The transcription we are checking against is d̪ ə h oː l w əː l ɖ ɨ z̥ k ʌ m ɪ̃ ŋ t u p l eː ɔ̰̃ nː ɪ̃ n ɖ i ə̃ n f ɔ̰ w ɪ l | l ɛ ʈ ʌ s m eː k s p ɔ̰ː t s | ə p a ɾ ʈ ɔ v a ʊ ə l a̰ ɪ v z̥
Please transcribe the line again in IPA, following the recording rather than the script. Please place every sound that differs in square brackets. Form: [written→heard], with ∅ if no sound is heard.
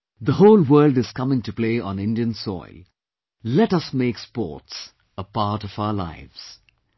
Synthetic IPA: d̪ ə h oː l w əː l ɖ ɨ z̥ k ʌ m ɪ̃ ŋ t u p l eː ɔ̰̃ [nː→n] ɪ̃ n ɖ i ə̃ n [f→s] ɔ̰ [w→∅] ɪ l | l ɛ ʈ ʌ s m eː k s p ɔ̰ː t s | ə p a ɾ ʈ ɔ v a ʊ ə l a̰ ɪ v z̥